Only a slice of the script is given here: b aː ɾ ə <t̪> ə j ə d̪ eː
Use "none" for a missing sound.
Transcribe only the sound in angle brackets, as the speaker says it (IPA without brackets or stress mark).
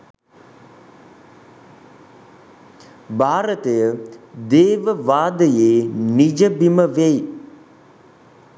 t̪